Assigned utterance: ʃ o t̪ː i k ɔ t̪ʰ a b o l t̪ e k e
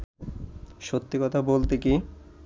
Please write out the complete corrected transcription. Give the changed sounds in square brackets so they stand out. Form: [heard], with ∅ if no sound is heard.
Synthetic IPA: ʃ o t̪ː i k ɔ t̪ʰ a b o l t̪ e k [i]